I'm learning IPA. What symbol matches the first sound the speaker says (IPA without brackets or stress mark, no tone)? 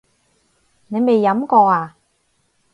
n